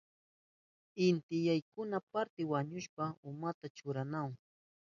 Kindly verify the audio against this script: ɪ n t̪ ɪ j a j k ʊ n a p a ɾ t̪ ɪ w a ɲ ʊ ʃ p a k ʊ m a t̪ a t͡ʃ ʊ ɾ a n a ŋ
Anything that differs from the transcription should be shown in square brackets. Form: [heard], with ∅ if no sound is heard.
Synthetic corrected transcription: ɪ n t̪ ɪ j a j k ʊ n a p a ɾ t̪ ɪ w a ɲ ʊ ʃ p a [∅] ʊ m a t̪ a t͡ʃ ʊ ɾ a n a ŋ

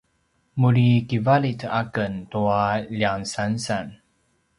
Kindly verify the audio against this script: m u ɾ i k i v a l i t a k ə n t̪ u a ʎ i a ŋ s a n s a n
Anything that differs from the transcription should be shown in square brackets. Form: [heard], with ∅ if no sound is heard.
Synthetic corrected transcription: m u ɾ i k i v a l i t a k ə n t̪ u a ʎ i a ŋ s a n s a n

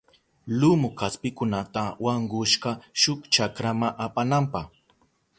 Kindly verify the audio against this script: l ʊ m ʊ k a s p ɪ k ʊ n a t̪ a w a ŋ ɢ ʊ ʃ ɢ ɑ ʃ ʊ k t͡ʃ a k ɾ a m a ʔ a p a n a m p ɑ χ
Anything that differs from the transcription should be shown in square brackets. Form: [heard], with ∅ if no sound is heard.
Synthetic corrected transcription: l ʊ m ʊ k a s p ɪ k ʊ n a t̪ a w a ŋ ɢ ʊ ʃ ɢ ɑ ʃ ʊ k t͡ʃ a k ɾ a m a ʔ a p a n a m p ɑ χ

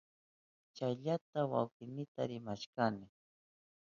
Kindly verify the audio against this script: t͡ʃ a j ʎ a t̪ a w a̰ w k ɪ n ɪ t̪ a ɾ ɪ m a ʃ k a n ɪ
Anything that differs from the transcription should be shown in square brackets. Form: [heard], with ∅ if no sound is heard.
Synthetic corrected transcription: t͡ʃ a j ʎ a t̪ a w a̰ w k ɪ n ɪ t̪ a ɾ ɪ m a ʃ k a n ɪ

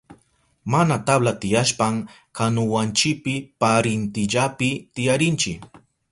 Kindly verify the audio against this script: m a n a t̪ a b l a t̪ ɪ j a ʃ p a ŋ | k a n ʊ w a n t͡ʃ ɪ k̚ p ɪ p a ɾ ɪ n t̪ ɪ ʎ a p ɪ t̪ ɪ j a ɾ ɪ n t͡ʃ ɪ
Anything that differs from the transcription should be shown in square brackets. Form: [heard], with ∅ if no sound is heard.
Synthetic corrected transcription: m a n a t̪ a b l a t̪ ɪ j a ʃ p a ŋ | k a n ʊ w a n t͡ʃ ɪ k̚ p ɪ p a ɾ ɪ n t̪ ɪ ʎ a p ɪ t̪ ɪ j a ɾ ɪ n t͡ʃ ɪ

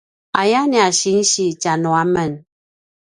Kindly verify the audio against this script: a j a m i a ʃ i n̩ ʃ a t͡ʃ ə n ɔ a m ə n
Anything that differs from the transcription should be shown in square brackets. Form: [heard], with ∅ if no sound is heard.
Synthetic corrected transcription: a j a [n] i a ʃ i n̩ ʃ [i] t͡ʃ [a] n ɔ a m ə n

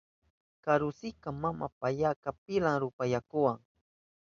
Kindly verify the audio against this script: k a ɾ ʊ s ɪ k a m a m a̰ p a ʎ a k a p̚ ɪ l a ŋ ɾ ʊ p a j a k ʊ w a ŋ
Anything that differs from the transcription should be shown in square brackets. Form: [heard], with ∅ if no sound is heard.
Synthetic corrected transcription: k a ɾ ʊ s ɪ k a m a m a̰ p a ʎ a k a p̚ ɪ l a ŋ ɾ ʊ p a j a k ʊ w a ŋ

